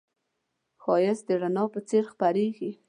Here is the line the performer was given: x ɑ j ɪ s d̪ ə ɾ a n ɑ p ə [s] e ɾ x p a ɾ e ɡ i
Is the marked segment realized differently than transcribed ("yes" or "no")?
yes